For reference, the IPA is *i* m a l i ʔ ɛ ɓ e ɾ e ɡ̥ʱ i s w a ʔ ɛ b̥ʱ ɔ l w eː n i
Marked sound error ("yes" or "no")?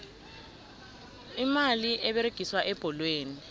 no